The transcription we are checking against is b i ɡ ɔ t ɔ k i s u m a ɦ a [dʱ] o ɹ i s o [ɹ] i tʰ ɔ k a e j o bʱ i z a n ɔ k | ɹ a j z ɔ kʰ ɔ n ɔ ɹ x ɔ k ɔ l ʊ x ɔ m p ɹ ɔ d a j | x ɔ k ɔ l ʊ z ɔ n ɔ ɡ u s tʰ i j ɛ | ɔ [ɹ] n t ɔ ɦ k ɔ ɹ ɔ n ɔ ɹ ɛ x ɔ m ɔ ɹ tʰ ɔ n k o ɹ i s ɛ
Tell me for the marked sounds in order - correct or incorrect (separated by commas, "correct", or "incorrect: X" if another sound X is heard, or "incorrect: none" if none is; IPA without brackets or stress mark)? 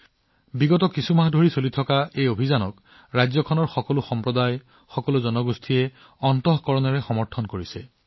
correct, incorrect: l, incorrect: none